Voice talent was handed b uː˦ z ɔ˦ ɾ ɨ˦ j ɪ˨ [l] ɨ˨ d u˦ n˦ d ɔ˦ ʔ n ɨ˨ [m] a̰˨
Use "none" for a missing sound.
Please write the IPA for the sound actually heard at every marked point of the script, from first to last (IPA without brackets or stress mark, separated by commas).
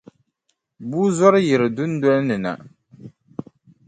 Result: ɾ, n